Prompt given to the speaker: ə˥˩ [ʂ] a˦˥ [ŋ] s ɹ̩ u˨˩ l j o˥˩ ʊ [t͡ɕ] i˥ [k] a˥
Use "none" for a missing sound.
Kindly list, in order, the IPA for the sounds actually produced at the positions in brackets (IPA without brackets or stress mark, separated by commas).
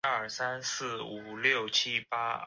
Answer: s, n, t͡ɕʰ, p